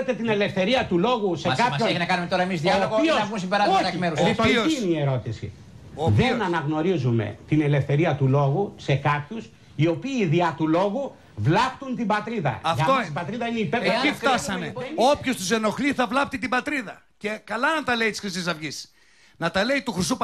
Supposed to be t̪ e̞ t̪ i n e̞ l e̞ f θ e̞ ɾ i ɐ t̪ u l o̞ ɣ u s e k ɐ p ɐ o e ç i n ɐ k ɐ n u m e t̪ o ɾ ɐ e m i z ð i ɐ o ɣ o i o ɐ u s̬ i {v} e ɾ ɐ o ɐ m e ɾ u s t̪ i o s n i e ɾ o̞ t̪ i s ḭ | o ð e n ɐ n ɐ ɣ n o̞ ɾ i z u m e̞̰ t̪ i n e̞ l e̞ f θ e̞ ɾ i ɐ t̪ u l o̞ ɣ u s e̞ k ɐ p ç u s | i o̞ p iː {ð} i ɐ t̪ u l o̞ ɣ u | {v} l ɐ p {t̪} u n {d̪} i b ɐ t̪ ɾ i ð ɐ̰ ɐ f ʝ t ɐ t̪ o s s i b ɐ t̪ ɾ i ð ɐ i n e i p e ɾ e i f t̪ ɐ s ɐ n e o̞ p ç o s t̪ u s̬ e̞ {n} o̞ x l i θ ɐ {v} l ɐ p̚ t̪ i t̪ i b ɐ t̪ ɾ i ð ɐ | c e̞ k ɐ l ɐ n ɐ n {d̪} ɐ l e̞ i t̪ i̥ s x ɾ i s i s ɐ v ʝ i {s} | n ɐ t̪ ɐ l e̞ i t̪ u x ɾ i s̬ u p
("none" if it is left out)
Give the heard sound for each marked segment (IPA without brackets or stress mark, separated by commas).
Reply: b, ð, v, t̪, t̪, n, v, t̪, s